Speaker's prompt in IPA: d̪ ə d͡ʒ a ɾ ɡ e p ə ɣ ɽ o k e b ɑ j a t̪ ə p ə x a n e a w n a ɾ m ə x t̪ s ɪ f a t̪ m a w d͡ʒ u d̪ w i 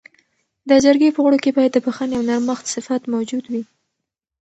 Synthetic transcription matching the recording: d̪ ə d͡ʒ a ɾ ɡ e p ə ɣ ɽ o k e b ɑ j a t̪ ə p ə x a n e a w n a ɾ m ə x t̪ s ɪ f a t̪ m a w d͡ʒ u d̪ w i